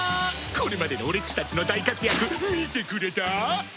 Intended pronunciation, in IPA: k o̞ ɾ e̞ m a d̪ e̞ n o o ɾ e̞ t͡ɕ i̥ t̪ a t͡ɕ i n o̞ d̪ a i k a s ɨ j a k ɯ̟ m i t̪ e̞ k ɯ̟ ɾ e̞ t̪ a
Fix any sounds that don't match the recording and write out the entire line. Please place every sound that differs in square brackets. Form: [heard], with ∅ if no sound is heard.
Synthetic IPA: k o̞ ɾ e̞ m a d̪ e̞ n o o ɾ e̞ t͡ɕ i̥ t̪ a t͡ɕ i n o̞ d̪ a i k a [t͡s] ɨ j a k ɯ̟ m i t̪ e̞ k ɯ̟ ɾ e̞ t̪ a